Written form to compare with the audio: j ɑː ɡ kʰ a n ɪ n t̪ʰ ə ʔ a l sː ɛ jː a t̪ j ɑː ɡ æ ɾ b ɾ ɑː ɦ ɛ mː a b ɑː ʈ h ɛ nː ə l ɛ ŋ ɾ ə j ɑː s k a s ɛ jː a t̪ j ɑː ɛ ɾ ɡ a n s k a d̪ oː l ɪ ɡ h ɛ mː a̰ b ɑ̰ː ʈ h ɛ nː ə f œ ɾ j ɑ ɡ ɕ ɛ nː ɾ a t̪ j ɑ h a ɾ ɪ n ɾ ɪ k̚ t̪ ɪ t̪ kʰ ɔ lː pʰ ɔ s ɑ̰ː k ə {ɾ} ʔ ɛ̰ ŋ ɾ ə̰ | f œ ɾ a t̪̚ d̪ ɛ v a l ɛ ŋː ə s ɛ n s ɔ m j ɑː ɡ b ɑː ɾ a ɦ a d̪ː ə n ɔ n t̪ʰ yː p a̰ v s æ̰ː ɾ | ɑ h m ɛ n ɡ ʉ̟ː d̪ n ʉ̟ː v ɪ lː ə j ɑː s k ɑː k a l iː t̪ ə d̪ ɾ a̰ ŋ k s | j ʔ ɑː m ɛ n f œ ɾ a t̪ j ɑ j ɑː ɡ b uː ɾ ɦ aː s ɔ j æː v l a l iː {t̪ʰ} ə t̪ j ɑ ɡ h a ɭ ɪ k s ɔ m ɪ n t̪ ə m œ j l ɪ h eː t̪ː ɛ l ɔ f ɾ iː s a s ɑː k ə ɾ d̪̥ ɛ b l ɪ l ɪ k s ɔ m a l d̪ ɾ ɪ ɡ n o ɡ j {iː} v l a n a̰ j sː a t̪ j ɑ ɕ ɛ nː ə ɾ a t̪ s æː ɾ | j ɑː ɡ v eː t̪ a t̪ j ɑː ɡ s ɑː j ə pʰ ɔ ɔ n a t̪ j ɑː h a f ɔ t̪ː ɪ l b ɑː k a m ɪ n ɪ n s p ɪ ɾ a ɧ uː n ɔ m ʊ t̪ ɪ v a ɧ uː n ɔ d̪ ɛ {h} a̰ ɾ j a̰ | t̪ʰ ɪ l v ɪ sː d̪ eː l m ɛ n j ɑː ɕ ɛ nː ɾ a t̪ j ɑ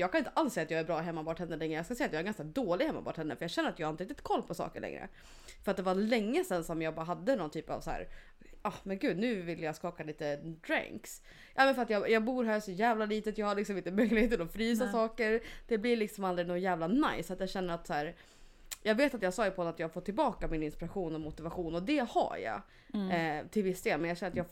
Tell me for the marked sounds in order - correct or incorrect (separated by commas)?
incorrect, incorrect, incorrect, correct